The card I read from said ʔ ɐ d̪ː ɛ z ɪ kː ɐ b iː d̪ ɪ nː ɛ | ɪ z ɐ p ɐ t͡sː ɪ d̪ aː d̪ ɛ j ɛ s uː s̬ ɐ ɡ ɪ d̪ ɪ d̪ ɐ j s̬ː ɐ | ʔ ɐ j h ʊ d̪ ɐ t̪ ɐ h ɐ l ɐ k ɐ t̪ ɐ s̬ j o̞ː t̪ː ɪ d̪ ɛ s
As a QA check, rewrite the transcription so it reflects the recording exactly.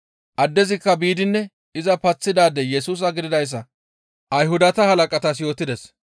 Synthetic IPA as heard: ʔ ɐ d̪ː ɛ z ɪ kː ɐ b iː d̪ ɪ nː ɛ | ɪ z ɐ p ɐ t͡sː ɪ d̪ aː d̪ ɛ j ɛ s uː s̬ ɐ ɡ ɪ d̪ ɪ d̪ ɐ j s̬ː ɐ | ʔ ɐ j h ʊ d̪ ɐ t̪ ɐ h ɐ l ɐ kʼ ɐ t̪ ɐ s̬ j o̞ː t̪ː ɪ d̪ ɛ s